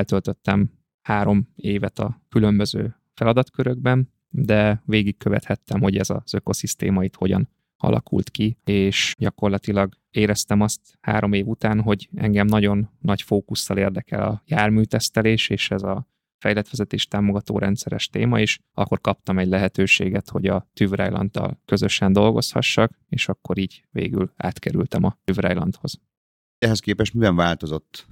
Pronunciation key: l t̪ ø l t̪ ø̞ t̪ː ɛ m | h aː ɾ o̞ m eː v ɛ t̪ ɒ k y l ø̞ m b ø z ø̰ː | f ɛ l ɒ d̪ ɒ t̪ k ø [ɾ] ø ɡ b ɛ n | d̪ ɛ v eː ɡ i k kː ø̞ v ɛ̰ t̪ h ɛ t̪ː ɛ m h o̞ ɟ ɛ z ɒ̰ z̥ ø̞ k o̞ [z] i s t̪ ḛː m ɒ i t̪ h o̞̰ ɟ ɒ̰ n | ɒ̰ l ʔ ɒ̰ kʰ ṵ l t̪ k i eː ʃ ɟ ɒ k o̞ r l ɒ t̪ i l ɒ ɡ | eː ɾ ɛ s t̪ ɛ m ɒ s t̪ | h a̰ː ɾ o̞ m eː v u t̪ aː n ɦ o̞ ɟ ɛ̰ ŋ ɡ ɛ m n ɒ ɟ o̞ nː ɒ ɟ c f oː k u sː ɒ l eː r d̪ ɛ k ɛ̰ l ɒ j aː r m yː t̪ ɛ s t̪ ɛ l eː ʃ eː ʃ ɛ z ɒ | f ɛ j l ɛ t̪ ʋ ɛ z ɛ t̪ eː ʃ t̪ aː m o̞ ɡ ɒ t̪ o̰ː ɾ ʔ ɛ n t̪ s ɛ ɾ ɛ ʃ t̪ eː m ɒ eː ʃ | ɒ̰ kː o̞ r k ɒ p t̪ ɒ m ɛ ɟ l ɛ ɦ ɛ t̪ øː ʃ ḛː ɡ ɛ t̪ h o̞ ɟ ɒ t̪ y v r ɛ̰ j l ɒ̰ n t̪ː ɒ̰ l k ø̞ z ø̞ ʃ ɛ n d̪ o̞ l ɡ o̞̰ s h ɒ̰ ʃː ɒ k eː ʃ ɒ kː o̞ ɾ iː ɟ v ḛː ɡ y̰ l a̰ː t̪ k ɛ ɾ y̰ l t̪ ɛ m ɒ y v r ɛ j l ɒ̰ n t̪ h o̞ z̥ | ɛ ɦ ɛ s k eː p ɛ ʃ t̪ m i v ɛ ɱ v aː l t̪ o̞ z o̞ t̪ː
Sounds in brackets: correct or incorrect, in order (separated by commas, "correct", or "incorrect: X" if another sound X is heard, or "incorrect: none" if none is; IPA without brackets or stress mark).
correct, incorrect: s